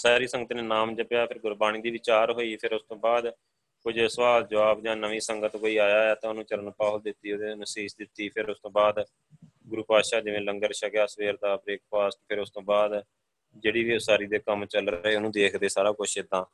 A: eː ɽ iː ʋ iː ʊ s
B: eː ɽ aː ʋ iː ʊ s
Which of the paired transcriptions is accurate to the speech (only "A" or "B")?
A